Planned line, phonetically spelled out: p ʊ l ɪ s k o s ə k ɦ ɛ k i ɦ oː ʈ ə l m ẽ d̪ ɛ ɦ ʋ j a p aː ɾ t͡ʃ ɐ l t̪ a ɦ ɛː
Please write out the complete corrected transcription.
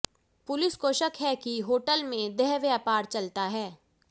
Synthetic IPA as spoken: p ʊ l ɪ s k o ʃ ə k ɦ ɛ k i ɦ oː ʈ ə l m ẽ d̪ ɛ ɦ ʋ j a p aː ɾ t͡ʃ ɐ l t̪ a ɦ ɛː